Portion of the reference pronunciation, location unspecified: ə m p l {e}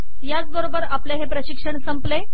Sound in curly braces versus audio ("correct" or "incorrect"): correct